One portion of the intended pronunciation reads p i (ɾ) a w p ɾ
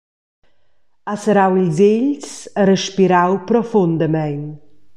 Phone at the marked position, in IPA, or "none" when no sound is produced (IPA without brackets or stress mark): ɾ